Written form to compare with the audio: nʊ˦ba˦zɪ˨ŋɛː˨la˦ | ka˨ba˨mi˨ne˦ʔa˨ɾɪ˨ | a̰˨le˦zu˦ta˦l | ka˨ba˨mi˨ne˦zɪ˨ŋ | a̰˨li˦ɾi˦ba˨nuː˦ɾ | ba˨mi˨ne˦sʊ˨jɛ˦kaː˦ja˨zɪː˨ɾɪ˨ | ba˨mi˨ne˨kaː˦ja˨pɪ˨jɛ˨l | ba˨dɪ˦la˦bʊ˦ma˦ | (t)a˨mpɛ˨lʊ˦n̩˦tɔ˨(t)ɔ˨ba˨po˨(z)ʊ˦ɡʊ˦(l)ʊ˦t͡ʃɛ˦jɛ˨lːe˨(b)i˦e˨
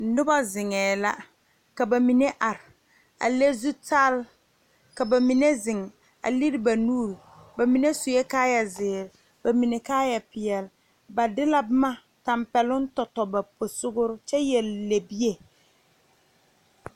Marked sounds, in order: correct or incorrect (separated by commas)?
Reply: correct, correct, incorrect, incorrect, correct